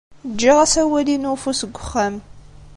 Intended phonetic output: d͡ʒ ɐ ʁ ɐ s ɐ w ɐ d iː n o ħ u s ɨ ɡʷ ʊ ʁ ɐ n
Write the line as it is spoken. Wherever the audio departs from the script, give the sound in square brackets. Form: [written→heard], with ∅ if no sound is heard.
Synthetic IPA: d͡ʒ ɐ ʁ ɐ s ɐ w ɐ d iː n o [ħ→f] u s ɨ ɡʷ ʊ [ʁ→χ] ɐ [n→m]